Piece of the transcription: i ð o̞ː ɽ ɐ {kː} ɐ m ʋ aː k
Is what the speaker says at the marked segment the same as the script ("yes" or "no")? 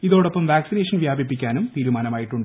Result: no